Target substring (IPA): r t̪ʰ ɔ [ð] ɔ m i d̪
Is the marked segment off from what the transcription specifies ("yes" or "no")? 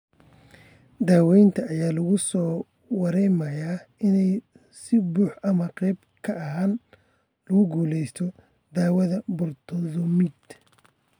no